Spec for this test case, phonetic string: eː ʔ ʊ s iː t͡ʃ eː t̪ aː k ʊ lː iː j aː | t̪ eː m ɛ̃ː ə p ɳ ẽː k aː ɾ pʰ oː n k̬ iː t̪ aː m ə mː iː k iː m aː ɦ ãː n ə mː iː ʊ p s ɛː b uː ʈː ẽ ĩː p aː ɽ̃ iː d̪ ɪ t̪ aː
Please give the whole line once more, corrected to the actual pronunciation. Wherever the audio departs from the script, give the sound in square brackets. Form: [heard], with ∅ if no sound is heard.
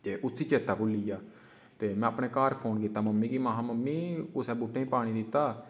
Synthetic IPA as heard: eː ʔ ʊ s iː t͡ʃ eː t̪ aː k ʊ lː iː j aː | t̪ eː m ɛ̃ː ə p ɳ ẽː k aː ɾ pʰ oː n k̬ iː t̪ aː m ə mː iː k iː m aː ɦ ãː [m] ə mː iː ʊ [∅] s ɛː b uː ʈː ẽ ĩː p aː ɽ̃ iː d̪ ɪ t̪ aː

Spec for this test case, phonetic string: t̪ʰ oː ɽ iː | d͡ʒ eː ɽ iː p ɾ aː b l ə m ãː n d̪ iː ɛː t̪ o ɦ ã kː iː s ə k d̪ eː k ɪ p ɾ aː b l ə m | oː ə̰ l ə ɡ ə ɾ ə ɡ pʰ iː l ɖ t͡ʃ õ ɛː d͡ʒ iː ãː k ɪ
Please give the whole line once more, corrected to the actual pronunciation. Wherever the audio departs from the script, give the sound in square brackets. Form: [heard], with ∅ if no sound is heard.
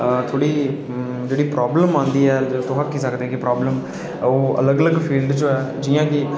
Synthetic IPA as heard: t̪ʰ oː ɽ iː | d͡ʒ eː ɽ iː p ɾ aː b l ə m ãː n d̪ iː ɛː t̪ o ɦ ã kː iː s ə k d̪ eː k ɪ p ɾ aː b l ə m | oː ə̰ l ə ɡ ə [l] ə ɡ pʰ iː l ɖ t͡ʃ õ ɛː d͡ʒ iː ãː k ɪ

